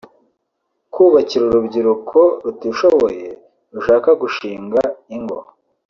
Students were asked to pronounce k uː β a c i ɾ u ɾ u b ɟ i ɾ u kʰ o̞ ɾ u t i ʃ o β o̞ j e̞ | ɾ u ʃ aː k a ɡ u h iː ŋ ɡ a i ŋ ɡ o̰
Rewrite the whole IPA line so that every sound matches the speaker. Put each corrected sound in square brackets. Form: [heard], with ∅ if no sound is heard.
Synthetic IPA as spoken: k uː β a c i ɾ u ɾ u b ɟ i ɾ u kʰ o̞ ɾ u t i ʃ o β o̞ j e̞ | ɾ u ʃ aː k a ɡ u [ʃ] iː ŋ ɡ a i ŋ ɡ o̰